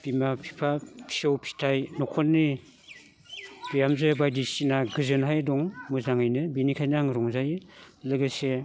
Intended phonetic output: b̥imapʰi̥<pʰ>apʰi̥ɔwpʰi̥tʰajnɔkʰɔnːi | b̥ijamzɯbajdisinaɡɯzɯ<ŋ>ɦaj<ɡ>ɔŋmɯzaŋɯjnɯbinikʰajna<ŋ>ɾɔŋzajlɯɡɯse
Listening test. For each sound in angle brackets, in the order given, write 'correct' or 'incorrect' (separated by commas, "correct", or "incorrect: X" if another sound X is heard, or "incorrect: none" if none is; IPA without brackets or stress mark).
correct, incorrect: n, incorrect: d, correct